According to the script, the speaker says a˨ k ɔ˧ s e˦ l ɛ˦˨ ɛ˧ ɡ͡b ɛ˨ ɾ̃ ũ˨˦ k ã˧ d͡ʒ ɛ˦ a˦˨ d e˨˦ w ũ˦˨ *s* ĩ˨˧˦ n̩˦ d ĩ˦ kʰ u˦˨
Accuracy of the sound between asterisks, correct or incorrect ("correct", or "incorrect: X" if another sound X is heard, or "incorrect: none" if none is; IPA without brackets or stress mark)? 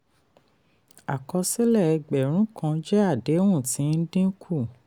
incorrect: t